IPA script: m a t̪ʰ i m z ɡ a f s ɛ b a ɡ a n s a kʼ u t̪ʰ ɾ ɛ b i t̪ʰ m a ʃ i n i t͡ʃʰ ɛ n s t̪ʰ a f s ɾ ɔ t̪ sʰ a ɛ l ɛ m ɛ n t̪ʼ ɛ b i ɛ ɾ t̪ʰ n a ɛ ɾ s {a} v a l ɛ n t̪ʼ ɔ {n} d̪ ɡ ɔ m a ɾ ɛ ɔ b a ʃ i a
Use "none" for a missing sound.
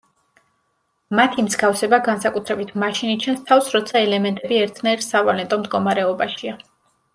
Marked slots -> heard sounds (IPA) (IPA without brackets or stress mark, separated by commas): a, m